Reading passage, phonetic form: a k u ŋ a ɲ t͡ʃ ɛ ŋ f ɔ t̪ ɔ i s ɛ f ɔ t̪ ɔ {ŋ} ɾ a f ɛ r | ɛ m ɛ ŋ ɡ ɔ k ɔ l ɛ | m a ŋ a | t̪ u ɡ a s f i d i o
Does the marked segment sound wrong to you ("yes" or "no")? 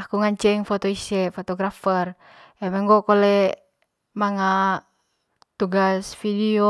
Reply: yes